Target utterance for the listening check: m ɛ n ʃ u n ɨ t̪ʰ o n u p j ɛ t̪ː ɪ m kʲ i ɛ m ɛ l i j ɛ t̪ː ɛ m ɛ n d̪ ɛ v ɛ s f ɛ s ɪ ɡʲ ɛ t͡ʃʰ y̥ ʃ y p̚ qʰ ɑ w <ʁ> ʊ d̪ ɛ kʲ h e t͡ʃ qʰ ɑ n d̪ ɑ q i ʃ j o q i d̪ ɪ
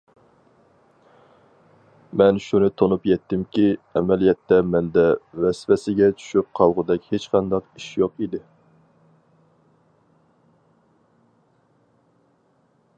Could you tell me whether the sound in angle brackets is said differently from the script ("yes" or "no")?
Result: no